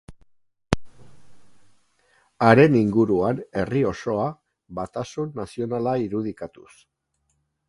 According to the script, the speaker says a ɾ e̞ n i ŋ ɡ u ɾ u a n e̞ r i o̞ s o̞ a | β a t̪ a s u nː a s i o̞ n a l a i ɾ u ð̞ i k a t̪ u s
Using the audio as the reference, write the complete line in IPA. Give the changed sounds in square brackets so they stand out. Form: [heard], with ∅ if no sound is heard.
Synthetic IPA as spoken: a ɾ e̞ n i ŋ ɡ u ɾ u a n e̞ r i o̞ s o̞ a | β a t̪ a s u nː a s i o̞ n a l a i ɾ u ð̞ i k a t̪ u s